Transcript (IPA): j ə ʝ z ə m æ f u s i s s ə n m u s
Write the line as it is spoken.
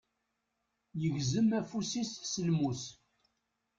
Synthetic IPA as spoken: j ə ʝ z ə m æ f u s i s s ə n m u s